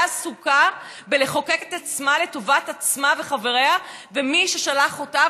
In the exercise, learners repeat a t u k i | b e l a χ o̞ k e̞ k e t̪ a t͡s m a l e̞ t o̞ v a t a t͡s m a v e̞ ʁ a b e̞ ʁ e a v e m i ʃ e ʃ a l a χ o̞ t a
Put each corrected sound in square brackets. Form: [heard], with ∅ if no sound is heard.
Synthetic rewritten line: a [s] u k [a] | b e l [e] χ o̞ k e̞ k e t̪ a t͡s m a l e̞ t o̞ v a t a t͡s m a v e̞ [χ] a [v] e̞ ʁ e a v e m i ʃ e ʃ a l a χ o̞ t a